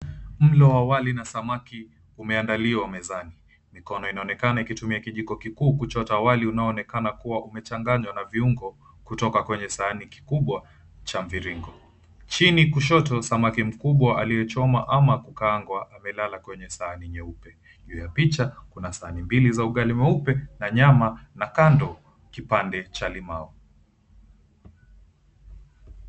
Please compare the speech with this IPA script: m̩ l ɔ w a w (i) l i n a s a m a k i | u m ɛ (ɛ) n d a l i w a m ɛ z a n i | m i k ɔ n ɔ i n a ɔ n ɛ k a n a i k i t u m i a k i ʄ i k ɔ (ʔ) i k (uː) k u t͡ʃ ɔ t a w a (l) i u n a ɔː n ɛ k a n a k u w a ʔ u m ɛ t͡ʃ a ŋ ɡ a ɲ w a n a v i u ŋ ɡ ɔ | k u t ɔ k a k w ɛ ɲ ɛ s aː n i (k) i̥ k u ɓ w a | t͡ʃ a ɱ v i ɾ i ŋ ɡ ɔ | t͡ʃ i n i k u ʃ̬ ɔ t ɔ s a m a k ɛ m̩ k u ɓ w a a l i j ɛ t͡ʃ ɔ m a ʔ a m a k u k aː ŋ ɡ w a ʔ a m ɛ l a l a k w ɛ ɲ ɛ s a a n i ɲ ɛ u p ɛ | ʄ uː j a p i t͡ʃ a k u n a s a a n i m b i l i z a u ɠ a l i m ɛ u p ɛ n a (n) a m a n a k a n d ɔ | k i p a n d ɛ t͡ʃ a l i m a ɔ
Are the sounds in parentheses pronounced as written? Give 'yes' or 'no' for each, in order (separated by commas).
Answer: no, no, no, yes, yes, yes, no